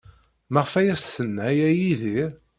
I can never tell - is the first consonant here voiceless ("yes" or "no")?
no